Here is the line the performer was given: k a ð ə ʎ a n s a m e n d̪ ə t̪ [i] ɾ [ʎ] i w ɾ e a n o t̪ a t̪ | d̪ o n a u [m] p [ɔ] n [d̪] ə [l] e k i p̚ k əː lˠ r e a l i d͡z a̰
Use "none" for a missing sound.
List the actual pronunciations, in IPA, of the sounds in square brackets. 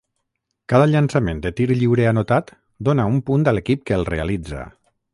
i, ʎ, m, u, d̪, l

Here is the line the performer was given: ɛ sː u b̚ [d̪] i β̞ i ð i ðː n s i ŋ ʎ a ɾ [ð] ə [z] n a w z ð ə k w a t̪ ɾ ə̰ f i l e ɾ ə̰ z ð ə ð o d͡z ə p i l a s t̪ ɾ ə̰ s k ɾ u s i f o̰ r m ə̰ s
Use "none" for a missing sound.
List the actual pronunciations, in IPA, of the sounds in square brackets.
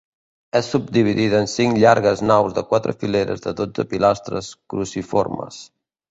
d̪, ɣ, z

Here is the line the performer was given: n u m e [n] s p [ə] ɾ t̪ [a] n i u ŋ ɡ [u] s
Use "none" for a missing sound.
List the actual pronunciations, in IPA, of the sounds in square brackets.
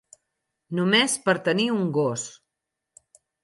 none, ə, ə, o

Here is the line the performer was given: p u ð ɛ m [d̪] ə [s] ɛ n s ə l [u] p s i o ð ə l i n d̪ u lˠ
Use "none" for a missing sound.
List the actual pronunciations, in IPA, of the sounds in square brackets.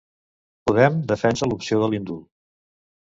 d̪, f, u

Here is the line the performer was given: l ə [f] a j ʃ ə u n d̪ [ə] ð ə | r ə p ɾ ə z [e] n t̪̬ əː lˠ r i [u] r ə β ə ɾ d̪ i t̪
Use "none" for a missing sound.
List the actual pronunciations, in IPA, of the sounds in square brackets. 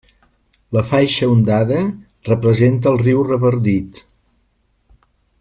f, a, e, w

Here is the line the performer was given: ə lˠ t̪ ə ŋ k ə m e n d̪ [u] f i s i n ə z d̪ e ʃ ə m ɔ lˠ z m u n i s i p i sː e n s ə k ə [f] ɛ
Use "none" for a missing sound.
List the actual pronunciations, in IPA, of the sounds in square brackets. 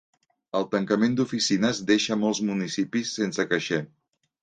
u, ʃ

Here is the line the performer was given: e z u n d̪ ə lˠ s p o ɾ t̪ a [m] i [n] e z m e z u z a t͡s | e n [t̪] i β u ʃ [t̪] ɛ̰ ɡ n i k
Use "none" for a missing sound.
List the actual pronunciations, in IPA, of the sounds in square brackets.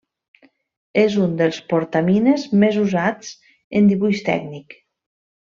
m, n, d̪, t̪

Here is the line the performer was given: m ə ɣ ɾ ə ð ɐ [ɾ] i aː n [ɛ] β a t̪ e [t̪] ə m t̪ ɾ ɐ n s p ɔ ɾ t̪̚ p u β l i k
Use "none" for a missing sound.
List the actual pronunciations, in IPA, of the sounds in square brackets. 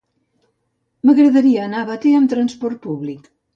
ɾ, a, none

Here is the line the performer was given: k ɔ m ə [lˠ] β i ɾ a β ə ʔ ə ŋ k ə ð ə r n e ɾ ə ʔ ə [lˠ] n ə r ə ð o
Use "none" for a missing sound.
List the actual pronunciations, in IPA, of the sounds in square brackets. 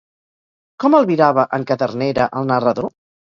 lˠ, lˠ

